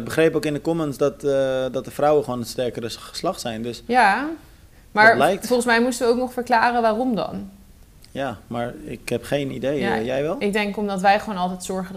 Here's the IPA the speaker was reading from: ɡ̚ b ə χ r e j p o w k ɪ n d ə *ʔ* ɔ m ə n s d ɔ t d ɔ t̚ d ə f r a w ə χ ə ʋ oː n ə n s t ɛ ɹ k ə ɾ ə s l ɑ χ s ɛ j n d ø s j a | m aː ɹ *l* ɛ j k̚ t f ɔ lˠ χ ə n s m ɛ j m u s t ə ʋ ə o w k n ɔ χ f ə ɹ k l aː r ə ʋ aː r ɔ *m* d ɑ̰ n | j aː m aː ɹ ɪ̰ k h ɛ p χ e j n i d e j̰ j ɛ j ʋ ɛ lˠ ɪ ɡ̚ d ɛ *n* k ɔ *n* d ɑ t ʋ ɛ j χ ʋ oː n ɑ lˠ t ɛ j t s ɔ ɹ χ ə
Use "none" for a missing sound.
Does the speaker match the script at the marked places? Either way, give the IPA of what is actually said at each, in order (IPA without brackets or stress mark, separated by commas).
k, l, m, ŋ, m